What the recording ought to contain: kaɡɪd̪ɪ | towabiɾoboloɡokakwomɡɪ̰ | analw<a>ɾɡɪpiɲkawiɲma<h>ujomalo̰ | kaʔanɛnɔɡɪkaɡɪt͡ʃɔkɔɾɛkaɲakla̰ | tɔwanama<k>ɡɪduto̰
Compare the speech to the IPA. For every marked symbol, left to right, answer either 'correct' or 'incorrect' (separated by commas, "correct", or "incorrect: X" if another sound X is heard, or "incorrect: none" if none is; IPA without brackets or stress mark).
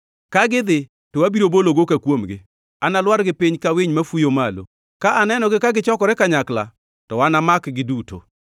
correct, incorrect: f, correct